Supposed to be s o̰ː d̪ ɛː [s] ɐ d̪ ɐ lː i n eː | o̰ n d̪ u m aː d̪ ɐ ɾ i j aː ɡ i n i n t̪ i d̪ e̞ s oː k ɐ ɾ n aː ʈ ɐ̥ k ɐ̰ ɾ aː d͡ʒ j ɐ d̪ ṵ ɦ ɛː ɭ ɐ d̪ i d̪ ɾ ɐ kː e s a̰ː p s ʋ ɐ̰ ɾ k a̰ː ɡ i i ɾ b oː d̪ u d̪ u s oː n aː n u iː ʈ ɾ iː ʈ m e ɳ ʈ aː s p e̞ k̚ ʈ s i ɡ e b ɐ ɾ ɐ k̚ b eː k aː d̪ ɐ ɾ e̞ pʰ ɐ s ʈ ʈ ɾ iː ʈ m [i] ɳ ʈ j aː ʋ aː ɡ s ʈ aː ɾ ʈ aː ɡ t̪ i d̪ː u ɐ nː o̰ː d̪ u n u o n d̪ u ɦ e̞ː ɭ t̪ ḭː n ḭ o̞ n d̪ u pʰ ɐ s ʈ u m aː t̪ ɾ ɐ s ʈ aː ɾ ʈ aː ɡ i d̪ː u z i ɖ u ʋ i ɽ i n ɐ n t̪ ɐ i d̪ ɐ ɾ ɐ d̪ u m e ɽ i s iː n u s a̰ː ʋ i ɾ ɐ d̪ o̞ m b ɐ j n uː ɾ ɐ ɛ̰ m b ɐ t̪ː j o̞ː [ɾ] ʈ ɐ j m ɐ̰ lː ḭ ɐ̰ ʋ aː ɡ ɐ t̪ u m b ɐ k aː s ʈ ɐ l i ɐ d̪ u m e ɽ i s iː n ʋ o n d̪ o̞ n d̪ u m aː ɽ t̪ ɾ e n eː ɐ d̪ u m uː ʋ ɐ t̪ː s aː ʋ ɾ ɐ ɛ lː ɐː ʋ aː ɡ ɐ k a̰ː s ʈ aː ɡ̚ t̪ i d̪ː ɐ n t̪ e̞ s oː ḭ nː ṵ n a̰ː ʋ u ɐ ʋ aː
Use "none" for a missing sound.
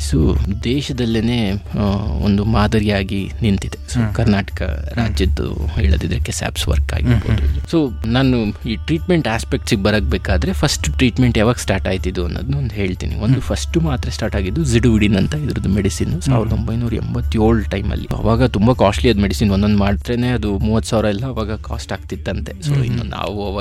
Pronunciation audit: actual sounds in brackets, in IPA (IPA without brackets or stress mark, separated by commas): ʃ, e, ɭ